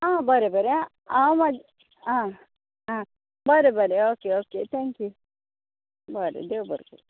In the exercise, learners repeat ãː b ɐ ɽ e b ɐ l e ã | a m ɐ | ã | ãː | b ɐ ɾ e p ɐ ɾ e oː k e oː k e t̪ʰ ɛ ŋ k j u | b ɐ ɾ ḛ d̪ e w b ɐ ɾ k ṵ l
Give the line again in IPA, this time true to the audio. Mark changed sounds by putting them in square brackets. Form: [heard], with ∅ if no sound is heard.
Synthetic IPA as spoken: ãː b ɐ [ɾ] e b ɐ [ɾ] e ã | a m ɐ | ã | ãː | b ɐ ɾ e [b] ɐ ɾ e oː k e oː k e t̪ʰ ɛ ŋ k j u | b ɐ ɾ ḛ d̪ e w b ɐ ɾ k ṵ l

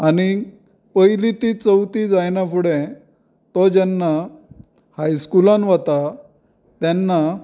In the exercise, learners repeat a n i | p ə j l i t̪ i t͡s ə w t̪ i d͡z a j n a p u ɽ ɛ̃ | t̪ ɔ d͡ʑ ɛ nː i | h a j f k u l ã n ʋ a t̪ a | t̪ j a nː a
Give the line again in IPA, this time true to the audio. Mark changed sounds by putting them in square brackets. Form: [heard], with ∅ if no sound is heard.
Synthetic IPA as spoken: a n i | p ə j l i t̪ i t͡s ə w t̪ i d͡z a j n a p u ɽ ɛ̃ | t̪ ɔ d͡ʑ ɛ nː [a] | h a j [s] k u l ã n ʋ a t̪ a | t̪ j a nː a

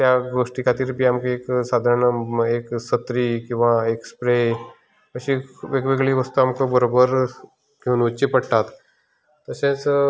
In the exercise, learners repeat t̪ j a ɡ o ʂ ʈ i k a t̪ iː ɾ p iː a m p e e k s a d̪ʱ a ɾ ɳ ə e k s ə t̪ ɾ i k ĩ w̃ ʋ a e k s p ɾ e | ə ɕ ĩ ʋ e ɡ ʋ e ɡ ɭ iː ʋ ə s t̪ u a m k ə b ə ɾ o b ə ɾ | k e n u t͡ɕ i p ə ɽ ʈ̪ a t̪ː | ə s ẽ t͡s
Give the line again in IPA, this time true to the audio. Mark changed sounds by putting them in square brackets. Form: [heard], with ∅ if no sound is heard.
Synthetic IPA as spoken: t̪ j a ɡ o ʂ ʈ i k a t̪ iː ɾ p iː a m [k] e e k s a d̪ʱ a ɾ ɳ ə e k s ə t̪ ɾ i k ĩ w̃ ʋ a e k s p ɾ e | ə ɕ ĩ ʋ e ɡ ʋ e ɡ ɭ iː ʋ ə s t̪ u a m k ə b ə ɾ o b ə ɾ | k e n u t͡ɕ i p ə ɽ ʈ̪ a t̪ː | ə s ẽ t͡s

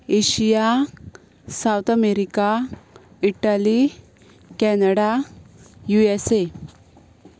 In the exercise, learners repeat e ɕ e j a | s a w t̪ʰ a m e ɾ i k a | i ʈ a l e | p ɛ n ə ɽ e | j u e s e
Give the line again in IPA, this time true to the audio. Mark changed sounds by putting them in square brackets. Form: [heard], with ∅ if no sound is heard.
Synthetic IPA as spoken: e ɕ [i] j a | s a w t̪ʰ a m e ɾ i k a | i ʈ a l [i] | [k] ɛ n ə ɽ [a] | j u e s e

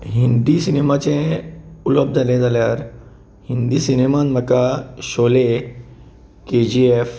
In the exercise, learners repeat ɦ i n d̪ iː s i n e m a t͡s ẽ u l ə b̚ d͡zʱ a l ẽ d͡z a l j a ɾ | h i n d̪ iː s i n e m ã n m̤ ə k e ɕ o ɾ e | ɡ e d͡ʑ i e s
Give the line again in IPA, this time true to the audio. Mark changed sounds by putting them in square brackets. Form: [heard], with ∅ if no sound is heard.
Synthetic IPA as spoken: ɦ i n d̪ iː s i n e m a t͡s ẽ u l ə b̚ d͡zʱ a l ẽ d͡z a l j a ɾ | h i n d̪ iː s i n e m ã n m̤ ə k [a] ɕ o [l] e | [k] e d͡ʑ i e [f]

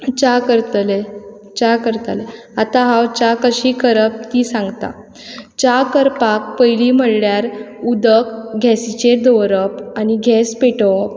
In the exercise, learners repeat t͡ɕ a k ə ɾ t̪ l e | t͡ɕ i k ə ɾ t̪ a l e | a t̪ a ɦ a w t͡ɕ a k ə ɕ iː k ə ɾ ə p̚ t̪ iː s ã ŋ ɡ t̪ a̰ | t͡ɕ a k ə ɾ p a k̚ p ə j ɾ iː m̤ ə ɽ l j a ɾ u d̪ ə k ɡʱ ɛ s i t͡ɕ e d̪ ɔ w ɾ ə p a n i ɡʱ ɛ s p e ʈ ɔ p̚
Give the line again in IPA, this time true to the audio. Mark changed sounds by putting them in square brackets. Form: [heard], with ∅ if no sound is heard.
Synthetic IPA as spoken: t͡ɕ a k ə ɾ t̪ l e | t͡ɕ [a] k ə ɾ t̪ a l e | a t̪ a ɦ a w t͡ɕ a k ə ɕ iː k ə ɾ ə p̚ t̪ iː s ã ŋ ɡ t̪ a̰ | t͡ɕ a k ə ɾ p a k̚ p ə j [l] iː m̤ ə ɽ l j a ɾ u d̪ ə k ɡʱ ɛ s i t͡ɕ e d̪ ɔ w ɾ ə p a n i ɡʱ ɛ s p e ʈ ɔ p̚

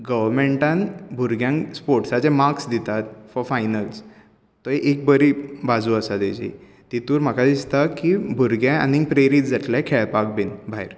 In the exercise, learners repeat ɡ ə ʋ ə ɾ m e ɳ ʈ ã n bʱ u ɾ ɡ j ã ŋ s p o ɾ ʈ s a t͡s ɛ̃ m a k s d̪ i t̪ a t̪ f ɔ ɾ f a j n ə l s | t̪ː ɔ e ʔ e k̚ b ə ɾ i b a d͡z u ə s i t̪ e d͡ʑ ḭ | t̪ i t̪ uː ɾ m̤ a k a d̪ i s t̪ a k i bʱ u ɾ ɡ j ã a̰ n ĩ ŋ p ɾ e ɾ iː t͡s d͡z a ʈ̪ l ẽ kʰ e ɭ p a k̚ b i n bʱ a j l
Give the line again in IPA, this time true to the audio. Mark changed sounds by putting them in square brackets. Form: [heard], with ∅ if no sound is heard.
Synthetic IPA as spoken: ɡ ə ʋ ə ɾ m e ɳ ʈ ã n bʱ u ɾ ɡ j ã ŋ s p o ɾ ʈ s a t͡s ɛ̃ m a k s d̪ i t̪ a t̪ f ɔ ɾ f a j n ə l s | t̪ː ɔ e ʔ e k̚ b ə ɾ i b a d͡z u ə s [a] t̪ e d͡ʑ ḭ | t̪ i t̪ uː ɾ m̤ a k a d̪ i s t̪ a k i bʱ u ɾ ɡ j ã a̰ n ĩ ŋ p ɾ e ɾ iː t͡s d͡z a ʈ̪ l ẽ kʰ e ɭ p a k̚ b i n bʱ a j [ɾ]

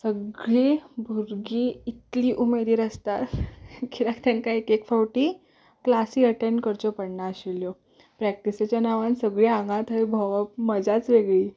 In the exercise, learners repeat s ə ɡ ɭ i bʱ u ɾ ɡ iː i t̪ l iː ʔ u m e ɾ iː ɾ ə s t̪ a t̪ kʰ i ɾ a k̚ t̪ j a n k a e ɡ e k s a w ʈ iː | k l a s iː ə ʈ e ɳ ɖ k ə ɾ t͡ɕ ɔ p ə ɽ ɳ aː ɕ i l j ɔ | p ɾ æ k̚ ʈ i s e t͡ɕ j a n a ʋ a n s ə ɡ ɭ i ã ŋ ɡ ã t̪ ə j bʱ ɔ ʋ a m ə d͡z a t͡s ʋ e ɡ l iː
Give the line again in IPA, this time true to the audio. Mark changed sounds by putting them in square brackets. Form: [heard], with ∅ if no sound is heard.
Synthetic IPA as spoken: s ə ɡ ɭ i bʱ u ɾ ɡ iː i t̪ l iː ʔ u m e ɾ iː ɾ ə s t̪ a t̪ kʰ i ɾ a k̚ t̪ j a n k a e [k] e k [f] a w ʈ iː | k l a s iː ə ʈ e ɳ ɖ k ə ɾ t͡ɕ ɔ p ə ɽ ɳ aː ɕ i l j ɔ | p ɾ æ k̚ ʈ i s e t͡ɕ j a n a ʋ a n s ə ɡ ɭ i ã ŋ ɡ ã t̪ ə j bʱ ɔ ʋ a m ə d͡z a t͡s ʋ e ɡ [ɭ] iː

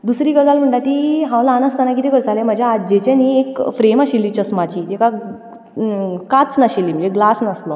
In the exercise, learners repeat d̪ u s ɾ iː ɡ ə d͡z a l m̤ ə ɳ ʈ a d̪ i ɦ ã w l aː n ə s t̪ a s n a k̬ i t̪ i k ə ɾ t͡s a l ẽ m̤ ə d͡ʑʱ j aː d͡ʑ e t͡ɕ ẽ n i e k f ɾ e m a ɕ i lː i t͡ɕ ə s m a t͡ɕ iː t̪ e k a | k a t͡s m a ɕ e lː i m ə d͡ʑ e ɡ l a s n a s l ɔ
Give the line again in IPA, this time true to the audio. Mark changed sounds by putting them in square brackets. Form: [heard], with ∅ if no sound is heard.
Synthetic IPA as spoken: d̪ u s ɾ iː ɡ ə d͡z a l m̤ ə ɳ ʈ a [t̪] i ɦ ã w l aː n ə s t̪ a [∅] n a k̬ i t̪ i k ə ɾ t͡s a l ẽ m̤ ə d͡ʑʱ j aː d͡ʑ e t͡ɕ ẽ n i e k f ɾ e m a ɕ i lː i t͡ɕ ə s m a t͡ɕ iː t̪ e k a | k a t͡s [n] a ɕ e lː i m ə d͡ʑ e ɡ l a s n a s l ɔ

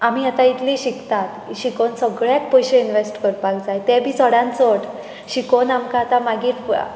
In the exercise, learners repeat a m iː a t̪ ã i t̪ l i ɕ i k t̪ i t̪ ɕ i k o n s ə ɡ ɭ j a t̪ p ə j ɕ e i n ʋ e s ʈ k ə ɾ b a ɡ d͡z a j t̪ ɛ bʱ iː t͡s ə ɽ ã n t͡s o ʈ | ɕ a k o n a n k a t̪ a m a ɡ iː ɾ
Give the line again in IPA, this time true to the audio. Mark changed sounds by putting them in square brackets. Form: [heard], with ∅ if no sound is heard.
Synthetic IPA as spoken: a m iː a t̪ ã i t̪ l i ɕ i k t̪ [a] t̪ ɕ i k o n s ə ɡ ɭ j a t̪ p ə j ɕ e i n ʋ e s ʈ k ə ɾ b a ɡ d͡z a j t̪ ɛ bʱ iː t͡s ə ɽ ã n t͡s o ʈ | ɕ [i] k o n a [m] k a t̪ a m a ɡ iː ɾ

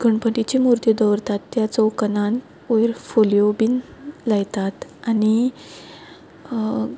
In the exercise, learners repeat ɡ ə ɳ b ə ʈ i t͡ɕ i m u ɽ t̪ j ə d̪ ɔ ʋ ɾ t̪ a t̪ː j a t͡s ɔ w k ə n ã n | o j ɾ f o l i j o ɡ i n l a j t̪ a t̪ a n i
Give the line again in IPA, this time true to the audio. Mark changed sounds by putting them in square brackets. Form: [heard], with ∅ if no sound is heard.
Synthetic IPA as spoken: ɡ ə ɳ [p] ə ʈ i t͡ɕ i m u [ɾ] t̪ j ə d̪ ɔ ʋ ɾ t̪ a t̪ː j a t͡s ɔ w k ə n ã n | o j ɾ f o l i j o [b] i n l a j t̪ a t̪ a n i

